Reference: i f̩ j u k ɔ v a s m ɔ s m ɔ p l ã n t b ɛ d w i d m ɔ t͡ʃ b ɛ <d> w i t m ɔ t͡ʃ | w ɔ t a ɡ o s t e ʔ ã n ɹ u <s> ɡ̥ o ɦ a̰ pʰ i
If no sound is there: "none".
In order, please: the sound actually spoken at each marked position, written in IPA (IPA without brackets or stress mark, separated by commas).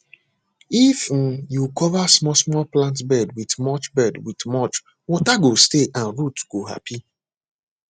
d, t